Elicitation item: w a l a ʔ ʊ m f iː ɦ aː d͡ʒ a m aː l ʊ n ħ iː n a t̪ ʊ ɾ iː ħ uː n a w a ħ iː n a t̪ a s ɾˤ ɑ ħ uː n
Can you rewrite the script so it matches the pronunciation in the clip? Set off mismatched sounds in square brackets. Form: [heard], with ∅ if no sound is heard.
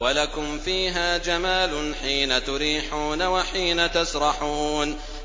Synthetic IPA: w a l a [k] ʊ m f iː ɦ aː d͡ʒ a m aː l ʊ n ħ iː n a t̪ ʊ ɾ iː ħ uː n a w a ħ iː n a t̪ a s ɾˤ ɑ ħ uː n